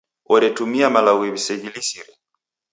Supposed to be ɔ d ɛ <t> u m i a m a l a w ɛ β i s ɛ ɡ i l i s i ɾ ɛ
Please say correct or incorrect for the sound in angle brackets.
correct